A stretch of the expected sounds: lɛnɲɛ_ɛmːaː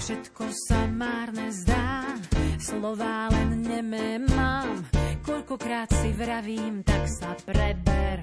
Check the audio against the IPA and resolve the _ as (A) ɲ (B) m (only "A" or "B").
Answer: B